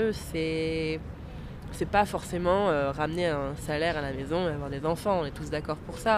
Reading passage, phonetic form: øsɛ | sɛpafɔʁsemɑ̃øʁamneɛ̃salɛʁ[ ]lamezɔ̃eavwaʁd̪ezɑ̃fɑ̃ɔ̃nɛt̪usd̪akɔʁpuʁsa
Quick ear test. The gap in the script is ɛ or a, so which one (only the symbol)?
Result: a